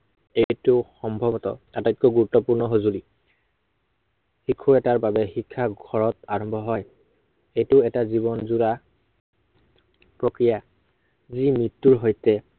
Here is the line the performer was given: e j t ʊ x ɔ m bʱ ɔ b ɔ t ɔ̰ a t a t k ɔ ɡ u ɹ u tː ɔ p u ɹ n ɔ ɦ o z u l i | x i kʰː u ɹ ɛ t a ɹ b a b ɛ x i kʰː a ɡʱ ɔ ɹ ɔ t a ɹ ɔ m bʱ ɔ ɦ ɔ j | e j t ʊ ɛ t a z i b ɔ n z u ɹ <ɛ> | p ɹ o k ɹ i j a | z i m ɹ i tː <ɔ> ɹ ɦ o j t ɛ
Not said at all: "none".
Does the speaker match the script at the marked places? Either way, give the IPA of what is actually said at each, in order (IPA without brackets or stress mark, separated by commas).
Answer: a, u